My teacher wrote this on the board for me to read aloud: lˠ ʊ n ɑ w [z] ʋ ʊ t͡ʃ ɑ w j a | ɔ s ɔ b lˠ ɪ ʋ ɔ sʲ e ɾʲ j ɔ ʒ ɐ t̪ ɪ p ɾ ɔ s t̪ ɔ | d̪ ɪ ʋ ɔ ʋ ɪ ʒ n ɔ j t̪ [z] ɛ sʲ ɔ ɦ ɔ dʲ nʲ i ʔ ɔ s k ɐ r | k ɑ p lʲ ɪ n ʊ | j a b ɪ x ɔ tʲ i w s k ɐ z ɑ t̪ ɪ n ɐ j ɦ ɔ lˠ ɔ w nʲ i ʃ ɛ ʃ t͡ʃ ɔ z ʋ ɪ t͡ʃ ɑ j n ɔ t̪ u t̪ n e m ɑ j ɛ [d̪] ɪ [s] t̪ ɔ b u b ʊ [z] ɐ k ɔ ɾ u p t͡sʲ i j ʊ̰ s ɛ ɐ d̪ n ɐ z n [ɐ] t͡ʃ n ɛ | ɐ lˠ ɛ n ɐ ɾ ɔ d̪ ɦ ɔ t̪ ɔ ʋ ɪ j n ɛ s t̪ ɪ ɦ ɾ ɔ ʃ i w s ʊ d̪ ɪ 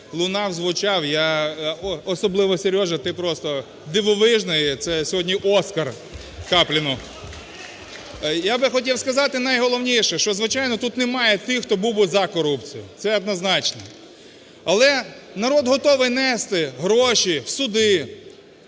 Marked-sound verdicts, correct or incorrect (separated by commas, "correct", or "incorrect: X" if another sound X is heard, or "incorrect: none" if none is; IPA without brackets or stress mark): correct, incorrect: s, incorrect: t̪, incorrect: x, correct, incorrect: ɑ